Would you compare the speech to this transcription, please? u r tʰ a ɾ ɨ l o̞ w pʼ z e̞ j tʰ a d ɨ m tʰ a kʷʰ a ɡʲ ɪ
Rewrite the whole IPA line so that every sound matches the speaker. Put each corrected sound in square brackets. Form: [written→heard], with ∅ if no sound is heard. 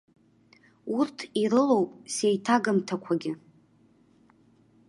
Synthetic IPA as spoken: u r tʰ [a→i] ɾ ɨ l o̞ w pʼ [z→s] e̞ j tʰ a [d→ɡ] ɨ m tʰ a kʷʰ a ɡʲ ɪ